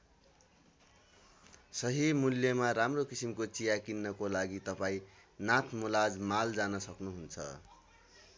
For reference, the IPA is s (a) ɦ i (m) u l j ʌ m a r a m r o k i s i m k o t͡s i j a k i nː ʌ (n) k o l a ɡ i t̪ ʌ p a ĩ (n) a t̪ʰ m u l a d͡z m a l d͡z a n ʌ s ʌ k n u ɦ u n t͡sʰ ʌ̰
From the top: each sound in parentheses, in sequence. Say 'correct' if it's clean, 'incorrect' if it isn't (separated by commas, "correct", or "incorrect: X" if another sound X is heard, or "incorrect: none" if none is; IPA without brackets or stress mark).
incorrect: ʌ, correct, incorrect: none, correct